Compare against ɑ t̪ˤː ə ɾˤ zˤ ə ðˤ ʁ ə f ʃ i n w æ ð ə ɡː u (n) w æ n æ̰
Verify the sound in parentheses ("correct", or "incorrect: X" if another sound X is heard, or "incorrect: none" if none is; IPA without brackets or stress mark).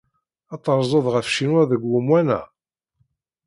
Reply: incorrect: m